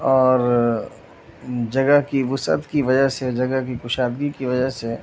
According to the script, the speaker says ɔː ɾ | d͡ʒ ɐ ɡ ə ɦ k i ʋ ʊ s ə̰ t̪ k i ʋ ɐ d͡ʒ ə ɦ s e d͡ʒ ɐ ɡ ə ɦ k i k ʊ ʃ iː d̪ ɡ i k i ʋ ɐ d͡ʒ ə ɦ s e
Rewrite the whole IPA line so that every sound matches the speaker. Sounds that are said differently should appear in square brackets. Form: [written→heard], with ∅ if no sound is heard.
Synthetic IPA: ɔː ɾ | d͡ʒ ɐ ɡ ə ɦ k i ʋ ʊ s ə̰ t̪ k i ʋ ɐ d͡ʒ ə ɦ s e d͡ʒ ɐ ɡ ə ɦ k i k ʊ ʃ [iː→aː] d̪ ɡ i k i ʋ ɐ d͡ʒ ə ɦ s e